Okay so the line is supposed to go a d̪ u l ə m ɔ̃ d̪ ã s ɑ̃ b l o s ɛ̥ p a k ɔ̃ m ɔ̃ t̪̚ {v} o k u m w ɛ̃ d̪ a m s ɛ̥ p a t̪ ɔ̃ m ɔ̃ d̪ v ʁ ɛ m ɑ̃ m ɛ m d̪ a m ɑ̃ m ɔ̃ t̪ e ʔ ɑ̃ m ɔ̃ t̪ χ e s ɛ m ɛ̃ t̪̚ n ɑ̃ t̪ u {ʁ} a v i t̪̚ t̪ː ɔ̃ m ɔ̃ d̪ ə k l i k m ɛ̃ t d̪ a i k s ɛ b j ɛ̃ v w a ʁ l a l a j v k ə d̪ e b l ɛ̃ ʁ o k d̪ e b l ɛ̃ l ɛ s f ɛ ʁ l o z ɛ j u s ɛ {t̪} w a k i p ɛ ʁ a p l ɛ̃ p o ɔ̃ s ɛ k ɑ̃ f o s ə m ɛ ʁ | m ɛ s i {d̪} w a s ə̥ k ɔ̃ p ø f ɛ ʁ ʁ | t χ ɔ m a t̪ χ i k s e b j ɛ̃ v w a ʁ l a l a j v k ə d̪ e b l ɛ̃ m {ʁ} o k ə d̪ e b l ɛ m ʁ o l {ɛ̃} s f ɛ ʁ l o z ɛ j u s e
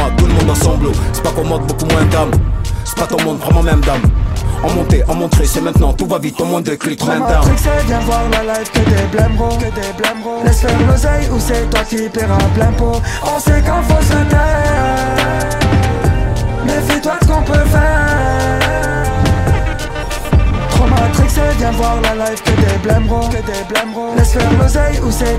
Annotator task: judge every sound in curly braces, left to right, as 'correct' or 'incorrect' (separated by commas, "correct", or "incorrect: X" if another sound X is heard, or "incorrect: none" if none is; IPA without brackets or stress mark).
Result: incorrect: b, incorrect: v, correct, incorrect: t̪, correct, incorrect: ɛ